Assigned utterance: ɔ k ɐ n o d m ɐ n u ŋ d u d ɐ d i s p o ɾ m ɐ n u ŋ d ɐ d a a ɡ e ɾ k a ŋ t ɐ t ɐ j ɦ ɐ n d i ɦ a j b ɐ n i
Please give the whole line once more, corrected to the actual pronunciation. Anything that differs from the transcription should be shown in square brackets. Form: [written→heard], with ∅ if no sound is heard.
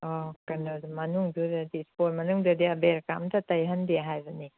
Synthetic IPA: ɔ k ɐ n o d m ɐ n u ŋ d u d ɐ d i s p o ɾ m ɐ n u ŋ d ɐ d [a→i] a [ɡ→b] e ɾ k a [ŋ→m] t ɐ t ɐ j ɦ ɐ n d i ɦ a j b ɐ n i